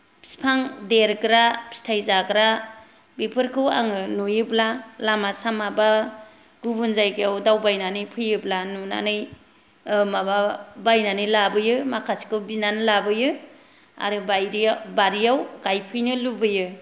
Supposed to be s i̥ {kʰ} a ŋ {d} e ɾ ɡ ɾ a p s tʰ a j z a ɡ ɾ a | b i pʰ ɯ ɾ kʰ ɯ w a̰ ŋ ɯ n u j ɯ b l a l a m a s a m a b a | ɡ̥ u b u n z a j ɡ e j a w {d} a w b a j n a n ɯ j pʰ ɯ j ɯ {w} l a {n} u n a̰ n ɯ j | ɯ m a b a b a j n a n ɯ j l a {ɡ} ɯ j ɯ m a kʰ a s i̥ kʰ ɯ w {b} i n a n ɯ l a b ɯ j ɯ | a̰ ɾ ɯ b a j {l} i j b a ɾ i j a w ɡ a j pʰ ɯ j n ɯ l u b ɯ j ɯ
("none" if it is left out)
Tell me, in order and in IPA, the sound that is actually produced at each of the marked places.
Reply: pʰ, d, d, b, n, b, b, ɾ

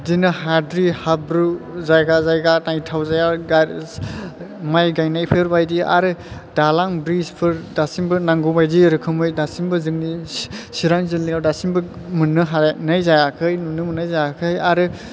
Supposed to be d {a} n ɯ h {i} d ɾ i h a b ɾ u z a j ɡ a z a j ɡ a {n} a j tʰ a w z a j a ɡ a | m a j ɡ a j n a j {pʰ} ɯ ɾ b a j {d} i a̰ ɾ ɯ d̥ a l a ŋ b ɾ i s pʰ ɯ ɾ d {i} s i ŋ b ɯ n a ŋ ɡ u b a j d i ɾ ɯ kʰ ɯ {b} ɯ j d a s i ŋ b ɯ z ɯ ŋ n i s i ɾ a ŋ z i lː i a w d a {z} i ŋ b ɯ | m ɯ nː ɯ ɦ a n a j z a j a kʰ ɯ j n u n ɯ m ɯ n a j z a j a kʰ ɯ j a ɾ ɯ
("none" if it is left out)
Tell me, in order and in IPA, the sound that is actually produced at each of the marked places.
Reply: i, a, n, pʰ, d, a, m, s

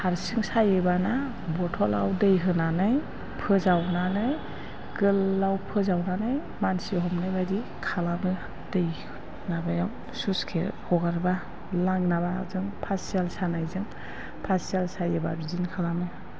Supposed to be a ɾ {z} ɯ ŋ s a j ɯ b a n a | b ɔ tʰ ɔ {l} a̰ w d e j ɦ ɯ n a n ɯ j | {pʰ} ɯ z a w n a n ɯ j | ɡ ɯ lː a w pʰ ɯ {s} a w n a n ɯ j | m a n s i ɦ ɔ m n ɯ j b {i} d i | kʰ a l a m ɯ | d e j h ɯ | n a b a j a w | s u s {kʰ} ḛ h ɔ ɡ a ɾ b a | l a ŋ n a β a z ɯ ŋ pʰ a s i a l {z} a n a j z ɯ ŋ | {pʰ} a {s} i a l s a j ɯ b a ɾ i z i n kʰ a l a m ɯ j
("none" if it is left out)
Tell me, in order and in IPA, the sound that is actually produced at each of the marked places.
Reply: s, l, pʰ, z, a, kʰ, s, pʰ, s

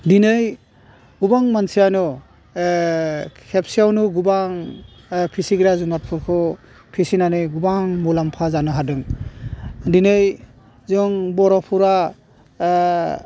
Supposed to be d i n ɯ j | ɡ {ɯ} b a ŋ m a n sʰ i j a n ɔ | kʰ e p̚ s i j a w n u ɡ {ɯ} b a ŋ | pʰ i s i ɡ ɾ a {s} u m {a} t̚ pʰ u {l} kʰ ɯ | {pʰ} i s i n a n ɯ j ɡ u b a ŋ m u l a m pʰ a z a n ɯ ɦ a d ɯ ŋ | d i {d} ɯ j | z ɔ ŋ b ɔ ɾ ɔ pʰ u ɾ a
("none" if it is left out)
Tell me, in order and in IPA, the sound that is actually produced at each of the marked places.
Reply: u, u, z, a, ɾ, pʰ, n

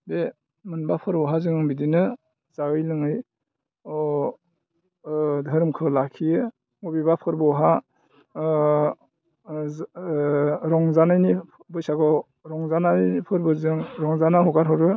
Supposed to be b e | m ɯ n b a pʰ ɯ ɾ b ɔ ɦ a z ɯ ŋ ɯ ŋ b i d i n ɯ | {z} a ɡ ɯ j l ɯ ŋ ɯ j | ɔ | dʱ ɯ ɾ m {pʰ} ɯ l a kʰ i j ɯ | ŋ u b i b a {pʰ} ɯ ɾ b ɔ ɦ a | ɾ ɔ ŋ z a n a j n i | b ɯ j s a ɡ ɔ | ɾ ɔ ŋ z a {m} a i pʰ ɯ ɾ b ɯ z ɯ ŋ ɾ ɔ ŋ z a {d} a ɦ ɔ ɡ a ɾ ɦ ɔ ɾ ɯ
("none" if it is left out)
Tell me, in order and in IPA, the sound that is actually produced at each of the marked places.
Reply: z, kʰ, pʰ, n, n

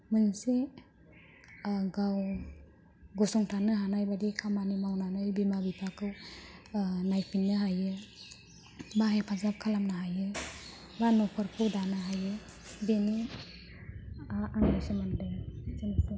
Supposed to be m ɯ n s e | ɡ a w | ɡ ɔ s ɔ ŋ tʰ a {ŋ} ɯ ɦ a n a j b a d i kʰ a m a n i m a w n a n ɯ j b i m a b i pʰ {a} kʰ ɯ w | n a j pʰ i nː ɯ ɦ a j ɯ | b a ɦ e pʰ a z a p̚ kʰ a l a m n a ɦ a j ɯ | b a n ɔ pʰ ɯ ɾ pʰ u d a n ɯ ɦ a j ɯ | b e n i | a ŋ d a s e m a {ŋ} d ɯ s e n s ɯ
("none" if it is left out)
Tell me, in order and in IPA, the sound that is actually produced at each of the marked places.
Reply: n, a, n

